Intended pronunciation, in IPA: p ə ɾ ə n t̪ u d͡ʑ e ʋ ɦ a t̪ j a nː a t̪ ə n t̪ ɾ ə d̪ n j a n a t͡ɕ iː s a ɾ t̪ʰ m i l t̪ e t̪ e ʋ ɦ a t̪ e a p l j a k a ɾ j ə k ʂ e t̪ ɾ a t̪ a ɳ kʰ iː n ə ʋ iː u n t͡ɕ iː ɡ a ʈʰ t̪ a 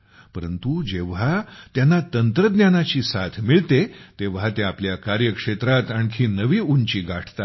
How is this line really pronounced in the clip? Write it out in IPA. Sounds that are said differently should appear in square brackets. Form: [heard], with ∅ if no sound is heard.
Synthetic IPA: p ə ɾ ə n t̪ u d͡ʑ e ʋ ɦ a t̪ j a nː a t̪ ə n t̪ ɾ ə d̪ n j a n a t͡ɕ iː s a [∅] t̪ʰ m i [ɭ] t̪ e t̪ e ʋ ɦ a t̪ e a p l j a k a ɾ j ə k ʂ e t̪ ɾ a t̪ a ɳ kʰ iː n ə ʋ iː u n t͡ɕ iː ɡ a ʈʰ t̪ a